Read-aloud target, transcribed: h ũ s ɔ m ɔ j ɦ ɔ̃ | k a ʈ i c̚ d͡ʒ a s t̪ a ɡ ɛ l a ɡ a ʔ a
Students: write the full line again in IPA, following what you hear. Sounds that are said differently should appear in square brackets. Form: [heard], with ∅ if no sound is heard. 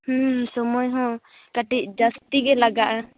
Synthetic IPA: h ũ s ɔ m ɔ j ɦ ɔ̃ | k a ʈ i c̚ d͡ʒ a s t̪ [i] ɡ ɛ l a ɡ a ʔ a